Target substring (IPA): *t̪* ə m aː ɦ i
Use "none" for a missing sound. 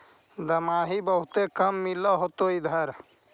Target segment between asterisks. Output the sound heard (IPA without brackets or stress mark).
d̪